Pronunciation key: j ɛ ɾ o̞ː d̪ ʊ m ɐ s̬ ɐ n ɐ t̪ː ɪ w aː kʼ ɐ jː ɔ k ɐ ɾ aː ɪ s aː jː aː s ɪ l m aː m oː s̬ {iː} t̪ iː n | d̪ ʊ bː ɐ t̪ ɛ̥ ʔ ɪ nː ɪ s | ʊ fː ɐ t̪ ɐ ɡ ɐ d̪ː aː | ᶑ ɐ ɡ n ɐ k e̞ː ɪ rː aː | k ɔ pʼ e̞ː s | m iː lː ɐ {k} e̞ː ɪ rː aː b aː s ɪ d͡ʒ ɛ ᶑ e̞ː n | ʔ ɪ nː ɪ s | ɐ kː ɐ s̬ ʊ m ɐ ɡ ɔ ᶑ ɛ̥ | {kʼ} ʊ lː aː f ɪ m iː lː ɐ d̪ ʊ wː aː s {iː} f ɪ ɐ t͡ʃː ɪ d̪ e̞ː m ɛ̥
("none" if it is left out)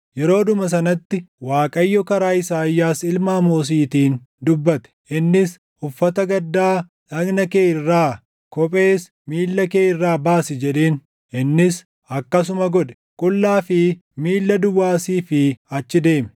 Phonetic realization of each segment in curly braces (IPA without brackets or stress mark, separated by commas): iː, k, kʼ, iː